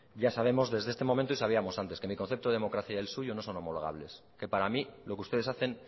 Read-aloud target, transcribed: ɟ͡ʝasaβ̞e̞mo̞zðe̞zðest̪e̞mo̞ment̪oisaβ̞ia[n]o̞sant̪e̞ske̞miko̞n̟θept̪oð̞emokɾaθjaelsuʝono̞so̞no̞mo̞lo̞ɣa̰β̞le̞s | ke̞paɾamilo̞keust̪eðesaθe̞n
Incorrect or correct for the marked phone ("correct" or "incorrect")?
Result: incorrect